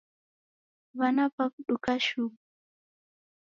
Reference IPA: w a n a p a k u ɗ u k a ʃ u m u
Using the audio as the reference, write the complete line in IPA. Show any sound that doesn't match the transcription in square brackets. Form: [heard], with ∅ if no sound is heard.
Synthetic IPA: [β] a n a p a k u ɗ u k a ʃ u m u